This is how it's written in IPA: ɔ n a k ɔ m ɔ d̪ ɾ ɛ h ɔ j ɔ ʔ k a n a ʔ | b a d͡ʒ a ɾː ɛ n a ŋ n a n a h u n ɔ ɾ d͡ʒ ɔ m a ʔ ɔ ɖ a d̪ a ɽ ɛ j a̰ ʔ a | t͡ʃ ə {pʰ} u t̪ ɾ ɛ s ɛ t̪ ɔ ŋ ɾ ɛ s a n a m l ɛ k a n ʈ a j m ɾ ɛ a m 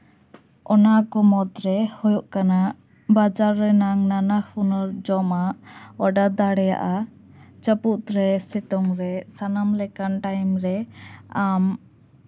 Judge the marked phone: incorrect: p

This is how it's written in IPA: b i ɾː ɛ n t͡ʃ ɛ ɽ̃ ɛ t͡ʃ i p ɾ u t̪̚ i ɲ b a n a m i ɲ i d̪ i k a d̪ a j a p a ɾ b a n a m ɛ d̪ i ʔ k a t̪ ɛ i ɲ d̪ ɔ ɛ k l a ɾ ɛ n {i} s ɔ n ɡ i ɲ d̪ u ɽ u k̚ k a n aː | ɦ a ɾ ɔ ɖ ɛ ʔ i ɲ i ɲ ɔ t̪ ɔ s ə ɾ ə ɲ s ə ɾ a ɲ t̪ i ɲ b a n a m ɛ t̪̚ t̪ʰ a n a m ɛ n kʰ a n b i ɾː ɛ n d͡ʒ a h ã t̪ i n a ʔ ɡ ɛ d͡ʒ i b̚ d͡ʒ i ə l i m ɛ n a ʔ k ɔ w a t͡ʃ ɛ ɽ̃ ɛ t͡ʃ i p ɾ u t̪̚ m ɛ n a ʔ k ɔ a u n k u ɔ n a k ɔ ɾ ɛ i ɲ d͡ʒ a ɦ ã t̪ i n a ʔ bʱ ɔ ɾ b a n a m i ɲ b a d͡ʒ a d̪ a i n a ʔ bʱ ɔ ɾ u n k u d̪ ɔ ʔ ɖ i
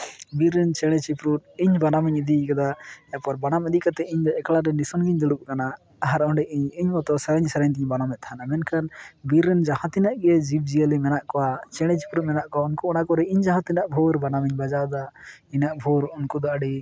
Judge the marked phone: correct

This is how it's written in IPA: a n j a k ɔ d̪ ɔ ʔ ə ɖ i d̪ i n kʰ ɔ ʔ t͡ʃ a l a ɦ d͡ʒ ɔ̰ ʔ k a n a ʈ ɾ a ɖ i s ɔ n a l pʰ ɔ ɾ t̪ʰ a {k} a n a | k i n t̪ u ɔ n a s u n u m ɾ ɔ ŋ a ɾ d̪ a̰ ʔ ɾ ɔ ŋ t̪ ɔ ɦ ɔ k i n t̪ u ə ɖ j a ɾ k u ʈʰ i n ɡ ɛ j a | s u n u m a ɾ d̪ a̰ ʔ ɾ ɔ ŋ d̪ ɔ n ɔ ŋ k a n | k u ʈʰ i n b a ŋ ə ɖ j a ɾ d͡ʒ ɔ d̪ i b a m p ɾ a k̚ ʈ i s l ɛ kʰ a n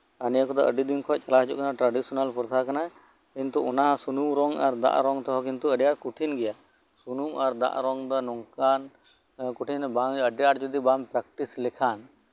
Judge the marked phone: correct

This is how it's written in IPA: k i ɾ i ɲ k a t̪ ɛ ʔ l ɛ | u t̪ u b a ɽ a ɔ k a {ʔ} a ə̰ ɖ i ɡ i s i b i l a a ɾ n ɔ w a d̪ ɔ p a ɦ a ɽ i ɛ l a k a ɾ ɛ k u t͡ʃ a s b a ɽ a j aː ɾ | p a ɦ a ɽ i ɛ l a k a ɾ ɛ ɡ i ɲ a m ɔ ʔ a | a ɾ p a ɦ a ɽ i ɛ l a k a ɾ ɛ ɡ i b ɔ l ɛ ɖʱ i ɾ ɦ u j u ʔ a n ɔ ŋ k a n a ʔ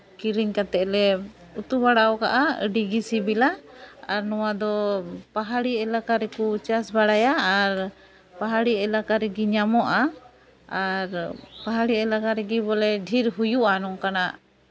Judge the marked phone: correct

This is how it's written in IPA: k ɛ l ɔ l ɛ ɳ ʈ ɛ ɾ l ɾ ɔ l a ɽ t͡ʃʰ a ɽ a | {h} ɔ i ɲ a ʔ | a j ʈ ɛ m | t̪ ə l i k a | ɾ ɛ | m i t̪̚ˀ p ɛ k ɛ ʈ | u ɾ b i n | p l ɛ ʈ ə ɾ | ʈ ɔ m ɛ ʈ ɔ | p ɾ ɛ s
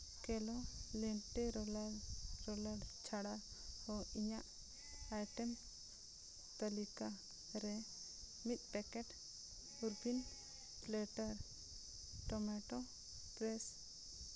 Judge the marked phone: correct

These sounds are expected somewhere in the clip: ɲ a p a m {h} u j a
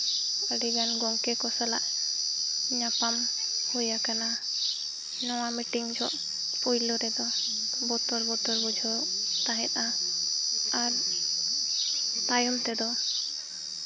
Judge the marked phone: correct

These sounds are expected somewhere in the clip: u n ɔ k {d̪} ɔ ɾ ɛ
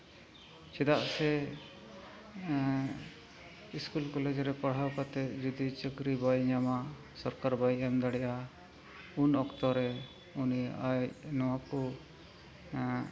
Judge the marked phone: incorrect: t̪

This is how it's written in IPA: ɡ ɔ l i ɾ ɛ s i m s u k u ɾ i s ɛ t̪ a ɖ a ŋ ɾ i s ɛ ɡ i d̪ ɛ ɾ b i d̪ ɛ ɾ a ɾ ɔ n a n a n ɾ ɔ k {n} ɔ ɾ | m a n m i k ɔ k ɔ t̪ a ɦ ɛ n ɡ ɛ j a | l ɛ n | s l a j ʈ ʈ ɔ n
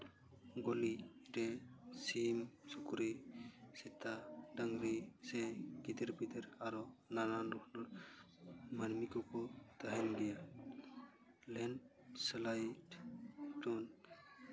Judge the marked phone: correct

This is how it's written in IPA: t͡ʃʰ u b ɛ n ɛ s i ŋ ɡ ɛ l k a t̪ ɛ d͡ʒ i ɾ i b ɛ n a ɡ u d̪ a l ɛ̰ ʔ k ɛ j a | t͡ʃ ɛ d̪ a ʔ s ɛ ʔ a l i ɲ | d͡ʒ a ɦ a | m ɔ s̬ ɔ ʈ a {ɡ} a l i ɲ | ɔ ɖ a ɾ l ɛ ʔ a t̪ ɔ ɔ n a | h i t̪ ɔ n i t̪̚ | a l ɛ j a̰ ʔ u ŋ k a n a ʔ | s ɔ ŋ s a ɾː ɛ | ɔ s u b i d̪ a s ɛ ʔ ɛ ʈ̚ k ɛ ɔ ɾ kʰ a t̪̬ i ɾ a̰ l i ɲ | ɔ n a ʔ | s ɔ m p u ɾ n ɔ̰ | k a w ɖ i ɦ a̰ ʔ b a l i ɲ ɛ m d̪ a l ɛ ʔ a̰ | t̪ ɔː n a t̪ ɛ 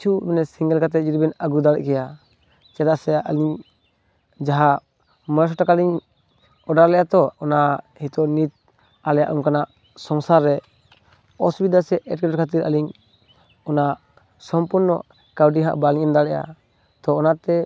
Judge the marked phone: incorrect: k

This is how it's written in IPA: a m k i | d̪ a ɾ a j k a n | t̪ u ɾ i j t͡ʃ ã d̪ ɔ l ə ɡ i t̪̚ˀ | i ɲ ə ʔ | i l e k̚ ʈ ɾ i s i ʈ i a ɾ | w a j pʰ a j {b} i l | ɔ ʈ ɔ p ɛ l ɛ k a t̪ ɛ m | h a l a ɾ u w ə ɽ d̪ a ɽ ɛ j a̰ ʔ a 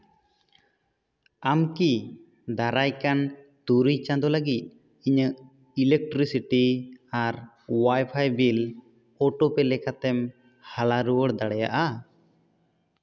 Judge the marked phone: correct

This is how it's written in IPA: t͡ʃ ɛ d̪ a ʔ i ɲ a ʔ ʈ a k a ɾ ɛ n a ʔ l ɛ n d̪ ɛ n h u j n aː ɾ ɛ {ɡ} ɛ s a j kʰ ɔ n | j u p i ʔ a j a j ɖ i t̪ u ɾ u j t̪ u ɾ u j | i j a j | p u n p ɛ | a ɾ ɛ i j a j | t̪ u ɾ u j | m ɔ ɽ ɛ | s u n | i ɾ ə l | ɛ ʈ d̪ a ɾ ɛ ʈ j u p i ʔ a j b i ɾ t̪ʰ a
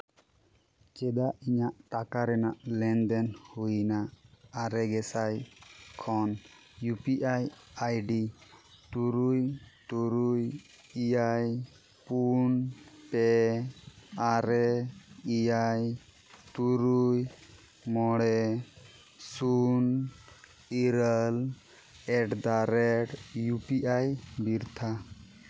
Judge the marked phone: correct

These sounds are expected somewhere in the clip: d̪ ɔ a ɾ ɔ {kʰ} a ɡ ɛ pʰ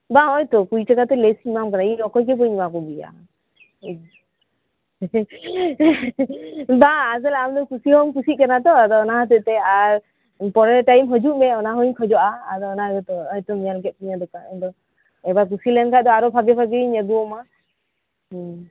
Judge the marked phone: incorrect: pʰ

